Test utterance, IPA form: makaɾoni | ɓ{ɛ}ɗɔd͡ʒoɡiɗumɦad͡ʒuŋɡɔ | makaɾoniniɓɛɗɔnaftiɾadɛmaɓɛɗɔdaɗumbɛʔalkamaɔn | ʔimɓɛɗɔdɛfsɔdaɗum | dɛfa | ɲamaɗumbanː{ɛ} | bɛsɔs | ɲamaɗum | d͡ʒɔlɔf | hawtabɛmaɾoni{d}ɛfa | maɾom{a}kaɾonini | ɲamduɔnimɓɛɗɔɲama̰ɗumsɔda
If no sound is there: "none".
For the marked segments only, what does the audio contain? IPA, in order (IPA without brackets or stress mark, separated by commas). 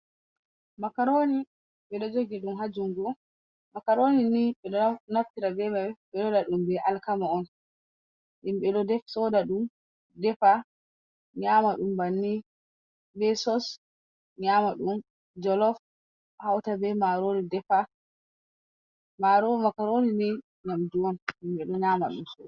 ɛ, i, d, a